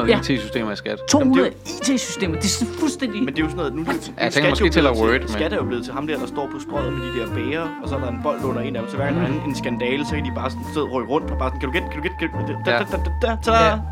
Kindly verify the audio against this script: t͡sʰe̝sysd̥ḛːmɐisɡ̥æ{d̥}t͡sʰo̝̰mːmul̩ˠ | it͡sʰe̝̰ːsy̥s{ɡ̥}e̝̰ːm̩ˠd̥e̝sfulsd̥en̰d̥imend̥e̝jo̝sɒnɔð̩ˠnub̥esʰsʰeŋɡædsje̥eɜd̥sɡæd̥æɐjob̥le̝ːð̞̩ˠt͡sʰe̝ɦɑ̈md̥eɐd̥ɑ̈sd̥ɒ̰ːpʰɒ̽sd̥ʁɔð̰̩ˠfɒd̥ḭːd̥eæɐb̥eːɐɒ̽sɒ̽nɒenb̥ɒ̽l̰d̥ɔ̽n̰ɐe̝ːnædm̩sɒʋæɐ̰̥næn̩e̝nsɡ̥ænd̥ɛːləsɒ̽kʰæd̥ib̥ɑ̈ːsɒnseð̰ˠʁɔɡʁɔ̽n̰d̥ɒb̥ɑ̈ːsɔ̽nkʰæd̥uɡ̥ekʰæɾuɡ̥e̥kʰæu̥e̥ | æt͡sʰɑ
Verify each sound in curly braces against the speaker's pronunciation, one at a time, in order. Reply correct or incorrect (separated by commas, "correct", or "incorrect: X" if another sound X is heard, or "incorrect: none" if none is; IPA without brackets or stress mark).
correct, incorrect: d̥